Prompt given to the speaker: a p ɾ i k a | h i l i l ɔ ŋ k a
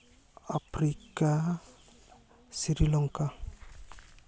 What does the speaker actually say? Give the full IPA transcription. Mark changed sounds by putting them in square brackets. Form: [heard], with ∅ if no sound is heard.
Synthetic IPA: a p ɾ i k a | [s] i [ɾ] i l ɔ ŋ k a

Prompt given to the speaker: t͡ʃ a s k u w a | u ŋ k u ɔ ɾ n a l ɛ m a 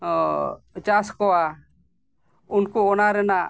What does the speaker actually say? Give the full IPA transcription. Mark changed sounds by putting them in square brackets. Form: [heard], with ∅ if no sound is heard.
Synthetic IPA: t͡ʃ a s k [ɔ] w a | u [n] k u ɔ [∅] n a [ɾ] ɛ [n] a

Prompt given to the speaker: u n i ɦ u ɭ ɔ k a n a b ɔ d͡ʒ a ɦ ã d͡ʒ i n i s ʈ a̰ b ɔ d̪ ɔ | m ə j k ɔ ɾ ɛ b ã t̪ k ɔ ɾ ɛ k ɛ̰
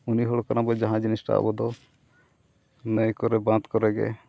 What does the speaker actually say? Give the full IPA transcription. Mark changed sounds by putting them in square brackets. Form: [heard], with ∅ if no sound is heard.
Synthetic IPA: u n i ɦ [ɔ] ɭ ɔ k a n a b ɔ d͡ʒ a ɦ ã d͡ʒ i n i s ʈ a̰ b ɔ d̪ ɔ | [n] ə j k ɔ ɾ ɛ b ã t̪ k ɔ ɾ ɛ [ɡ] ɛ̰

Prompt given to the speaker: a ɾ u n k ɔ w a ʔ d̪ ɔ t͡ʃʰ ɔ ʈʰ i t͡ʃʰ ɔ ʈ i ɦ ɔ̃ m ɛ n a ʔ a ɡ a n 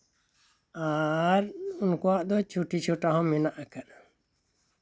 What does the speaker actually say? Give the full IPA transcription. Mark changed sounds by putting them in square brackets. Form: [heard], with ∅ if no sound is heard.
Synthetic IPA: a ɾ u n k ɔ w a ʔ d̪ ɔ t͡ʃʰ [u] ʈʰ i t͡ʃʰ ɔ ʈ [a] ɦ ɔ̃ m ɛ n a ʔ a [k] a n

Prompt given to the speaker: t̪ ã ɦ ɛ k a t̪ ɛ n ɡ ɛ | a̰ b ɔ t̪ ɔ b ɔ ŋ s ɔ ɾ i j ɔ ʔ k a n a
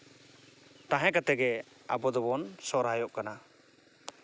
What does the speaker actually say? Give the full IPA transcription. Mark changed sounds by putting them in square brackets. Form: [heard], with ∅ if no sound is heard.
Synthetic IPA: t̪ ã ɦ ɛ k a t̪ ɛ [∅] ɡ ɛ | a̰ b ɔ [d̪] ɔ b ɔ [n] s ɔ ɾ [a] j ɔ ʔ k a n a

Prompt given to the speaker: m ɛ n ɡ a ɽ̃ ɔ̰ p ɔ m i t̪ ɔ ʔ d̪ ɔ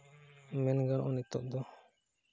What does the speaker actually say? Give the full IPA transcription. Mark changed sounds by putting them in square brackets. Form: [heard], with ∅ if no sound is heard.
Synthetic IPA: m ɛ n ɡ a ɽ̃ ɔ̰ [ʔ] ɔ [n] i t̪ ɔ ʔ d̪ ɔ

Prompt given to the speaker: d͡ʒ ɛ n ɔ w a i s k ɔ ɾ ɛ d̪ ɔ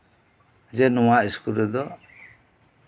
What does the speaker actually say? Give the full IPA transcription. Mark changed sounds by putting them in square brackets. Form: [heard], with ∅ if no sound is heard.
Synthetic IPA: d͡ʒ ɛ n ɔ w a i s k [u] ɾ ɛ d̪ ɔ

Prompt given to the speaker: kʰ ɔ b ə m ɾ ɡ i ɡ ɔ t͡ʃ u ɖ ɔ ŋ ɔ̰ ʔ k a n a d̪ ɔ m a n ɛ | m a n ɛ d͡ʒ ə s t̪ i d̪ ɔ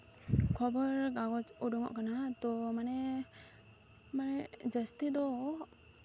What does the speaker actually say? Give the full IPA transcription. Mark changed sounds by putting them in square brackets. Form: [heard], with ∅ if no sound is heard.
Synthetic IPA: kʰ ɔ b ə [∅] ɾ ɡ [a] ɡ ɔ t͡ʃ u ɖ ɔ ŋ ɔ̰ ʔ k a n a [t̪] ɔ m a n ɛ | m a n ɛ d͡ʒ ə s t̪ i d̪ ɔ

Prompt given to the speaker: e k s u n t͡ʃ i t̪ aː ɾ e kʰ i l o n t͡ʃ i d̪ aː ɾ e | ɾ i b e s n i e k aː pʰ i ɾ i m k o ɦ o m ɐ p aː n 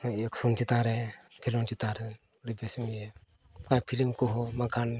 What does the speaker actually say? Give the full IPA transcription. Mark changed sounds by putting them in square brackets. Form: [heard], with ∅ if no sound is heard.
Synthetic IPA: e k s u n t͡ʃ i t̪ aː ɾ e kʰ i l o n t͡ʃ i [t̪] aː ɾ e | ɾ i b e s [m] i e k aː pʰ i [l] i m k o ɦ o m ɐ [k] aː n

